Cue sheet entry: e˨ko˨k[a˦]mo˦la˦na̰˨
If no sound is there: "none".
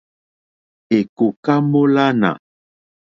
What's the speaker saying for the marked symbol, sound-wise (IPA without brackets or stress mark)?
a˦